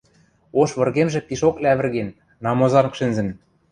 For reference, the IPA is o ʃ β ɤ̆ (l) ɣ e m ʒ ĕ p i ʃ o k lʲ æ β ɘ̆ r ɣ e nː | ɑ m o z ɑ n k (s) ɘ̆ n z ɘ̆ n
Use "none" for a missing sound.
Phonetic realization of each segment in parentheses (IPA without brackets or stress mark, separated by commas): r, ʃ